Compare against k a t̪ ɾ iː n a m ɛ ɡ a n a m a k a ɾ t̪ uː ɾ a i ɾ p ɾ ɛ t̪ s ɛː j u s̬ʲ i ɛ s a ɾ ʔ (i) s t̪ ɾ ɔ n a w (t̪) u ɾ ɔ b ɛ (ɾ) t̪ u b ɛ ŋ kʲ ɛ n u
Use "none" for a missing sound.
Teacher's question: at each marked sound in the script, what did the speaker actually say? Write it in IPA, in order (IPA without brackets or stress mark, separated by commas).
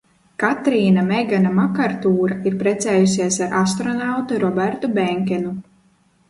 a, t̪, ɾ